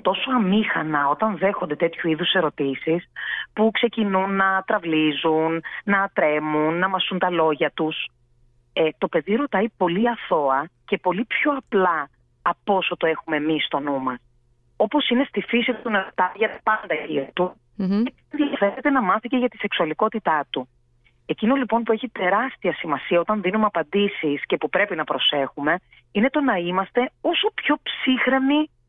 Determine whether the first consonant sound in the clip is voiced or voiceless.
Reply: voiceless